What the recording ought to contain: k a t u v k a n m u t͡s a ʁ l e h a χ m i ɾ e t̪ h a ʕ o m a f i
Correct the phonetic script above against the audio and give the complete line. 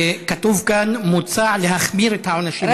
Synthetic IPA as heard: k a t u v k a n m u t͡s a ʕ l e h a χ m i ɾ e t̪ h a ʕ o n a ʃ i